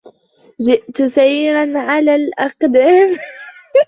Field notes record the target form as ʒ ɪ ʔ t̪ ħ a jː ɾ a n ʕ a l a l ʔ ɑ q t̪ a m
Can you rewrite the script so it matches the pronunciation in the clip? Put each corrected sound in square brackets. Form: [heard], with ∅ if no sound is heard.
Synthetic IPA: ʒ ɪ ʔ t̪ [s] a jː ɾ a n ʕ a l a l ʔ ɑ q [d̪] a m